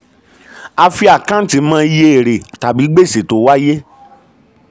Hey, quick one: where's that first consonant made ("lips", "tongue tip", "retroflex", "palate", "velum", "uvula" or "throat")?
lips